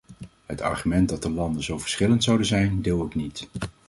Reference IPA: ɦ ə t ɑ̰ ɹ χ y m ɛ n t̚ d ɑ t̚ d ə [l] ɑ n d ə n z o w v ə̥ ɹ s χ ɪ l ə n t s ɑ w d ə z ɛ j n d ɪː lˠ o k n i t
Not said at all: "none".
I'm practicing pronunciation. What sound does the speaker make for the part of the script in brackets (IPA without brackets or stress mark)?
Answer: l